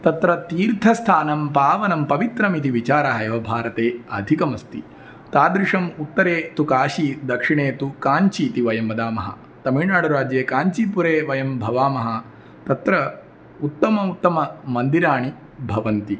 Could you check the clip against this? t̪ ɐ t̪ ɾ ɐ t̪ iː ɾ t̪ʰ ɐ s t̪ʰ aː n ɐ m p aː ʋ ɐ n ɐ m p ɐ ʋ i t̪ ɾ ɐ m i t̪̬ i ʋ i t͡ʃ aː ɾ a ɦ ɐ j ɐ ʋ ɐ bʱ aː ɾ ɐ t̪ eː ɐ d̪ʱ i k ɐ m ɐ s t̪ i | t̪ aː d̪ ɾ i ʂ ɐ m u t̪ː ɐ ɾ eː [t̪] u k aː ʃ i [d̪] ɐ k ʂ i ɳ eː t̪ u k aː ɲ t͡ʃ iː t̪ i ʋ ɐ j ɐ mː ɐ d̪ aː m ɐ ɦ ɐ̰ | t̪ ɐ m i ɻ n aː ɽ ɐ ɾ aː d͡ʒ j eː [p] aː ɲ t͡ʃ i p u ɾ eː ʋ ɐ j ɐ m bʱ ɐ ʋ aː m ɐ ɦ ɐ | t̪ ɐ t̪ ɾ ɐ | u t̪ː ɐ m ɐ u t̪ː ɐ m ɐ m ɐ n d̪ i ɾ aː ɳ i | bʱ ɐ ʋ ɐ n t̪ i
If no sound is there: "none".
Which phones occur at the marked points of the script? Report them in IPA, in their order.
t̪, d̪, k

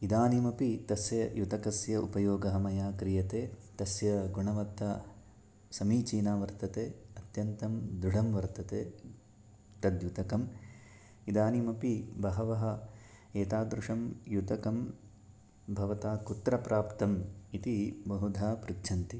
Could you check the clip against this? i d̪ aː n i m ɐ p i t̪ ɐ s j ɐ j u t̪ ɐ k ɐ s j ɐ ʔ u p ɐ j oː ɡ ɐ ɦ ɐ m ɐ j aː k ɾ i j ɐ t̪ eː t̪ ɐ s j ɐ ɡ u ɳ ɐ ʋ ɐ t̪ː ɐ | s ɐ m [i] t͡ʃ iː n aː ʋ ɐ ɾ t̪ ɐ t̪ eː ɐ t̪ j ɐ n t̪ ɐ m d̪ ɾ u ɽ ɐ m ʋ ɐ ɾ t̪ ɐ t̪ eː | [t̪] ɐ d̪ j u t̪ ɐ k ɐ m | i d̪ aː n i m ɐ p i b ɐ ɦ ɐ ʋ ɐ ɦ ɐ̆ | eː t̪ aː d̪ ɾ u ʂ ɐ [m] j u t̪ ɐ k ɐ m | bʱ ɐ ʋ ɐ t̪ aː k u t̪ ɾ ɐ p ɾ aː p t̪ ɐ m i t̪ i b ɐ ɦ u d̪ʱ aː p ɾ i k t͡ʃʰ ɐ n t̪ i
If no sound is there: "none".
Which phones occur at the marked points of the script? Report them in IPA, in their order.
iː, t̪, m

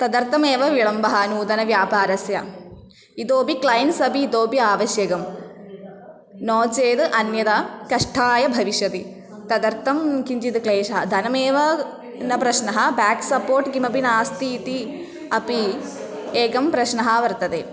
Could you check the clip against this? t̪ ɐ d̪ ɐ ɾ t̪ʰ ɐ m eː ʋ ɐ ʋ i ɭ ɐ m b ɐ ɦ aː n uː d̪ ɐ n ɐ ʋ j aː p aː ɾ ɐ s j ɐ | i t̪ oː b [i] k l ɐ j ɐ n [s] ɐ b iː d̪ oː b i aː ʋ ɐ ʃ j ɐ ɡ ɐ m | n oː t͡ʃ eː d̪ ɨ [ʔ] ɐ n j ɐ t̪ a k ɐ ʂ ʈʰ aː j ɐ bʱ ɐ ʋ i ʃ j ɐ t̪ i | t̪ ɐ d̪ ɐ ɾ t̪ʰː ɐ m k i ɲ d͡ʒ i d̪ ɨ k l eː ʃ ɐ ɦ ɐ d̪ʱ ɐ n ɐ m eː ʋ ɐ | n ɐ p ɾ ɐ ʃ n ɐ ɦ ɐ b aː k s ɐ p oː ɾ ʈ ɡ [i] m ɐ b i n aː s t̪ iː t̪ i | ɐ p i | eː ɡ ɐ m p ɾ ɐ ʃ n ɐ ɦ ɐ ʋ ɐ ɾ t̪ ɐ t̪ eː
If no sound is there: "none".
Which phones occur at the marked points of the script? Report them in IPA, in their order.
i, s, ʔ, i

